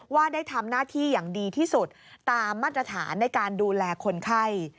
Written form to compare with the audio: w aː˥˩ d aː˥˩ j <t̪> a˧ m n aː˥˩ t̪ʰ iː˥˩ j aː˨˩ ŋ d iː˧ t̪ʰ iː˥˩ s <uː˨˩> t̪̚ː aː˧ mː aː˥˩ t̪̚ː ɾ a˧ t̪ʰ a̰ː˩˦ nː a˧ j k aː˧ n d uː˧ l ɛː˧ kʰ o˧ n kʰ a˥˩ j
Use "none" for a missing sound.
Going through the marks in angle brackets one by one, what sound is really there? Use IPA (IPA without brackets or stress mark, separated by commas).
t̪ʰ, u˨˩